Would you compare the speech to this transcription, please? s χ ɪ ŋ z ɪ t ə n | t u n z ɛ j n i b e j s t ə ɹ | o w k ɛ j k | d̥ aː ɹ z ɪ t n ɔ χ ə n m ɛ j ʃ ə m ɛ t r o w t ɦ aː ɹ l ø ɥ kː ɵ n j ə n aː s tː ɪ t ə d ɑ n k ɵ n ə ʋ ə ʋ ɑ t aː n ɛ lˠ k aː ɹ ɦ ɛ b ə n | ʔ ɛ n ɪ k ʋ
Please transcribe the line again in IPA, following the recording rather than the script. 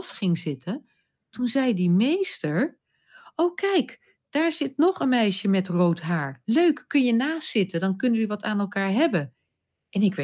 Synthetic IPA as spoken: s χ ɪ ŋ z ɪ t ə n | t u n z ɛ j d i m e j s t ə ɹ | o w k ɛ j k | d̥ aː ɹ z ɪ t n ɔ χ ə n m ɛ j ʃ ə m ɛ t r o w t ɦ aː ɹ l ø ɥ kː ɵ n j ə n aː s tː ɪ t ə d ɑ n k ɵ n ə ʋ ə ʋ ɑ t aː n ɛ lˠ k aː ɹ ɦ ɛ b ə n | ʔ ɛ n ɪ k ʋ